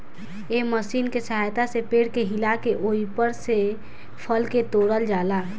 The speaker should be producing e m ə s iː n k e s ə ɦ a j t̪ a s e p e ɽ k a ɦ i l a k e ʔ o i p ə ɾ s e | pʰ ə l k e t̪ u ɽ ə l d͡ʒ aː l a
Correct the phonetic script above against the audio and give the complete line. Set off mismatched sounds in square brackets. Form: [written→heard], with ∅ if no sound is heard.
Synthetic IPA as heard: e m ə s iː n k e s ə ɦ a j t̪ a s e p e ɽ k [a→e] ɦ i l a k e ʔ o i p ə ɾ s e | pʰ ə l k e t̪ [u→o] ɽ ə l d͡ʒ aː l a